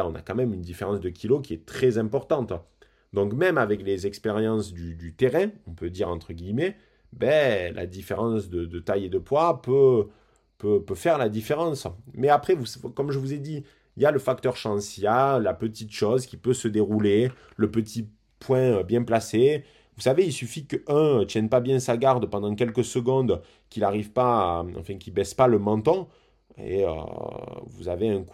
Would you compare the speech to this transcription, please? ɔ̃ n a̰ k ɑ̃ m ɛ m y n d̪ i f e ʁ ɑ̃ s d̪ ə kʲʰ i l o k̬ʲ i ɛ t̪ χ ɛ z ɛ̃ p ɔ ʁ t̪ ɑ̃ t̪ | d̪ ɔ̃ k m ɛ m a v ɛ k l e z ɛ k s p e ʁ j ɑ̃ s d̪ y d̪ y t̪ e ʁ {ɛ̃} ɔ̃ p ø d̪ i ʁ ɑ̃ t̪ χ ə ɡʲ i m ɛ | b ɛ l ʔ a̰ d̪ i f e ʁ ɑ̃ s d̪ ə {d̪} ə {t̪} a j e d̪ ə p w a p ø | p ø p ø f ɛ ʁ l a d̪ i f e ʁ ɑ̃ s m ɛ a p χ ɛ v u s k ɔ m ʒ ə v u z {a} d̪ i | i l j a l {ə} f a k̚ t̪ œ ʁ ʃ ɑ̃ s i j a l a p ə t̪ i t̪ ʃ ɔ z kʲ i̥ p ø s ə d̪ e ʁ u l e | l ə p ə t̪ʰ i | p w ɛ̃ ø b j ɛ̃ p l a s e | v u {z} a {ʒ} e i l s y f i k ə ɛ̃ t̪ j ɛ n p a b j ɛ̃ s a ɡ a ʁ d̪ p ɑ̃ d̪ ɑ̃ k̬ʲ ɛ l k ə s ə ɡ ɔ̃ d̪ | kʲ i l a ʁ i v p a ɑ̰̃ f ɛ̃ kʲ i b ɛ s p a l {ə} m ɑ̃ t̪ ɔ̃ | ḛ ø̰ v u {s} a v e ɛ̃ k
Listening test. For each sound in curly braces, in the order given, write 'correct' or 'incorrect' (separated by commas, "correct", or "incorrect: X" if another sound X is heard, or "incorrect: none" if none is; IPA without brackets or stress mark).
correct, correct, correct, incorrect: e, correct, incorrect: s, incorrect: v, correct, incorrect: z